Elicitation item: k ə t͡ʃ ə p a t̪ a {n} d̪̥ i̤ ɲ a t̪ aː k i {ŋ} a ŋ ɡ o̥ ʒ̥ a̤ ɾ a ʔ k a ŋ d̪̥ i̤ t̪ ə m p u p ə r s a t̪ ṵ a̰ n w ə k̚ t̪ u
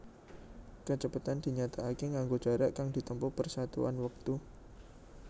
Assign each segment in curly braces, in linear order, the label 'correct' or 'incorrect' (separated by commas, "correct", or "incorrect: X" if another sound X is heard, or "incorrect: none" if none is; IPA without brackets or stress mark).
correct, correct